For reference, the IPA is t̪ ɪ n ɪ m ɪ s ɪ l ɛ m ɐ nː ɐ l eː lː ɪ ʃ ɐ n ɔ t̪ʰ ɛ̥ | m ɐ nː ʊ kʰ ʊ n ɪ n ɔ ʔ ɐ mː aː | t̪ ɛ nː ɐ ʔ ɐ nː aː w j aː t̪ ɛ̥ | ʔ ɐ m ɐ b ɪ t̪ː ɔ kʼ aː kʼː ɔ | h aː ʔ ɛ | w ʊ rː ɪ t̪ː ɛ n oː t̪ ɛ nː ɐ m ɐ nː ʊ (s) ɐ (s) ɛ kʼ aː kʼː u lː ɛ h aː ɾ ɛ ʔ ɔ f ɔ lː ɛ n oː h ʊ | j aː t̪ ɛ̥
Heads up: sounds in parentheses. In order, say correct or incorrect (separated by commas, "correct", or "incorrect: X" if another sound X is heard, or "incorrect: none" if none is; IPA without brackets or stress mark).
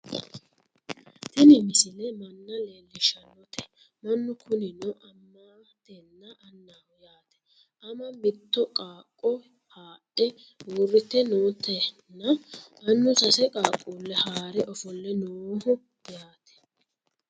correct, correct